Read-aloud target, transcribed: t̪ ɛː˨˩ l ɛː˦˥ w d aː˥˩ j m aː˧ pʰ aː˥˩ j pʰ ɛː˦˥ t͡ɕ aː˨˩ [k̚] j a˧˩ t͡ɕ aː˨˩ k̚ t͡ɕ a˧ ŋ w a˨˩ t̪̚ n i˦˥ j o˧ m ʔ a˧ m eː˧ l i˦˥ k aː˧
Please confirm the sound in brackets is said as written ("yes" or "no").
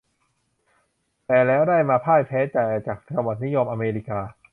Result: no